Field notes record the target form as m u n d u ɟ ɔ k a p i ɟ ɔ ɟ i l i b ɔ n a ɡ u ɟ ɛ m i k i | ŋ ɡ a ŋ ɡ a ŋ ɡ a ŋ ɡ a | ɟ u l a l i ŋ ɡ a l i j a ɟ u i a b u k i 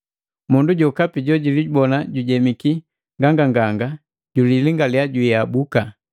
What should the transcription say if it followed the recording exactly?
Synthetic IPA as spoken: m u n d u ɟ ɔ k a p i ɟ ɔ ɟ i l i b ɔ n a ɟ u ɟ ɛ m i k i | ŋ ɡ a ŋ ɡ a ŋ ɡ a ŋ ɡ a | ɟ u l i l i ŋ ɡ a l i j a ɟ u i a b u k a

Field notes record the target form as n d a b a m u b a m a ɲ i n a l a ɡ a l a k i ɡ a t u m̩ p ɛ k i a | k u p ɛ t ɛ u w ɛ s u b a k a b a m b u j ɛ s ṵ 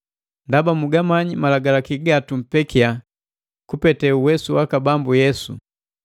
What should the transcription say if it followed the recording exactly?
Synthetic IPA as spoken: n d a b a m u ɡ a m a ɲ i m a l a ɡ a l a k i ɡ a t u m̩ p ɛ k i a | k u p ɛ t ɛ u w ɛ s u w a k a b a m b u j ɛ s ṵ

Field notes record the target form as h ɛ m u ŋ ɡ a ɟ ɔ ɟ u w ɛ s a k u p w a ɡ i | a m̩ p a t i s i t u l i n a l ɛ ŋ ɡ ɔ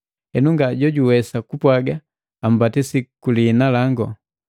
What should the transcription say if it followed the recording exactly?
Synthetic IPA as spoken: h ɛ n u ŋ ɡ a ɟ ɔ ɟ u w ɛ s a k u p w a ɡ a | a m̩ b a t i s i k u l i n a l a ŋ ɡ ɔ

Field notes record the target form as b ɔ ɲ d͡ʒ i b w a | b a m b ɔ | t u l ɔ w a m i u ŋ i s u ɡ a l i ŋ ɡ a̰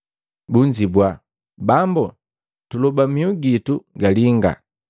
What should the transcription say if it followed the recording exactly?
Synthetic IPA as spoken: b u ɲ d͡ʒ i b w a | b a m b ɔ | t u l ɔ b a m i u ɡ i t u ɡ a l i ŋ ɡ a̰

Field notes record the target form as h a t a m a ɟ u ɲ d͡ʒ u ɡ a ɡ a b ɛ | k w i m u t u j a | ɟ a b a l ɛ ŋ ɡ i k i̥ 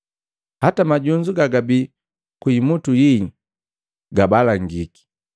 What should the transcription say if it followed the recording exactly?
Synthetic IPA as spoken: h a t a m a ɟ u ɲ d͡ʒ u ɡ a ɡ a b i | k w i m u t u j i | ɡ a b a l a ŋ ɡ i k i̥

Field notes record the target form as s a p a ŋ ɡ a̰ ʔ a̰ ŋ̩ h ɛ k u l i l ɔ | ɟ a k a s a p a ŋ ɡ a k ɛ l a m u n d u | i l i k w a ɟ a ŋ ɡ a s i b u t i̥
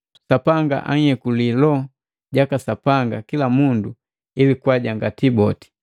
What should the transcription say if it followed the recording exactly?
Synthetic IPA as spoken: s a p a ŋ ɡ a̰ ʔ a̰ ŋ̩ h ɛ k u l i l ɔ | ɟ a k a s a p a ŋ ɡ a k i l a m u n d u | i l i k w a ɟ a ŋ ɡ a t i b ɔ t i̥

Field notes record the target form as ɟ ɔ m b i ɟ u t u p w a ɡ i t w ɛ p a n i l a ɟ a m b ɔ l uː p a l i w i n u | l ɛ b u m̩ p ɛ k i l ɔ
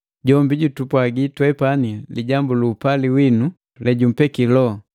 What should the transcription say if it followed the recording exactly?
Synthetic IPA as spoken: ɟ ɔ m b i ɟ u t u p w a ɡ i t w ɛ p a n i l i ɟ a m b u l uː p a l i w i n u | l ɛ ɟ u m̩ p ɛ k i l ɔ

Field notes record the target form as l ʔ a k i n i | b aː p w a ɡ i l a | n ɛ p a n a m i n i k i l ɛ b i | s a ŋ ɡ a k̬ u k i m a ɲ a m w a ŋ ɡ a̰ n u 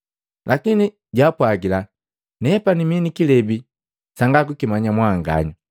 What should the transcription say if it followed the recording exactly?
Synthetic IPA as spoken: l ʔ a k i n i | ɟ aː p w a ɡ i l a | n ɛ p a n i m i n i k i l ɛ b i | s a ŋ ɡ a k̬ u k i m a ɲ a m w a ŋ ɡ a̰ ɲ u

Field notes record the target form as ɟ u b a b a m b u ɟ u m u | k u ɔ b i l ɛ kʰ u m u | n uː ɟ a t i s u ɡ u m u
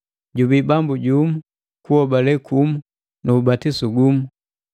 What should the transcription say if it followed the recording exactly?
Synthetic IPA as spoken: ɟ u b i b a m b u ɟ u m u | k u ɔ b a l ɛ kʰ u m u | n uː b a t i s u ɡ u m u

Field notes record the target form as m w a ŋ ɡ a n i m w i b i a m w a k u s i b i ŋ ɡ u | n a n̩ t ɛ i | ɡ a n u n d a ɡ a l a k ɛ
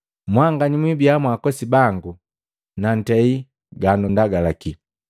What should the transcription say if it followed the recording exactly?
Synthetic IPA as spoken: m w a ŋ ɡ a ɲ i m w i b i a m w a k ɔ s i b a ŋ ɡ u | n a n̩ t ɛ i | ɡ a n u n d a ɡ a l a k i

